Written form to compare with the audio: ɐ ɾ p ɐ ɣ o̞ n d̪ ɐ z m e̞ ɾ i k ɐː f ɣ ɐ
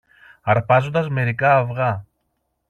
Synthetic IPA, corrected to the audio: ɐ ɾ p ɐ z o̞ n d̪ ɐ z m e̞ ɾ i k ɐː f ɣ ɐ